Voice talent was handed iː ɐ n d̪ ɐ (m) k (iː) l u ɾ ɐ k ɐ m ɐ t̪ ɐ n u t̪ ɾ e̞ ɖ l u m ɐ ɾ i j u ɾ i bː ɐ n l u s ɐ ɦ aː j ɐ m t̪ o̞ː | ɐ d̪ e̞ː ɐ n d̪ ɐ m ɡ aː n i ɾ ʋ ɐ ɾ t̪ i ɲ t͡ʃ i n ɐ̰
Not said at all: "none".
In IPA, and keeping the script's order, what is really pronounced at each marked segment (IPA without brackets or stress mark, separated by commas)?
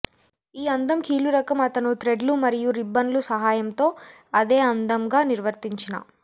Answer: m, iː